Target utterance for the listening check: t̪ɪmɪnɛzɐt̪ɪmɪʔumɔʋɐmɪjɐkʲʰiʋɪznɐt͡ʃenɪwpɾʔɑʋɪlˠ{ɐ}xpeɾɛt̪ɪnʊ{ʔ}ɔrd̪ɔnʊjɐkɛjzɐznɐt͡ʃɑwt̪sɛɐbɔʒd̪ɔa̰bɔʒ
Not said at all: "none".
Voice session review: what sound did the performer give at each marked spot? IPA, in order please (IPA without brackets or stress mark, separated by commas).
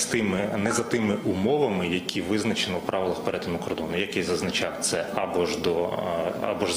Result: ɐ, k